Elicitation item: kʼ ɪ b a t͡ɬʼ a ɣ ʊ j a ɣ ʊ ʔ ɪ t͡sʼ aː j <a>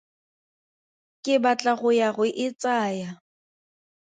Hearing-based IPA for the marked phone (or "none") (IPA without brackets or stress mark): a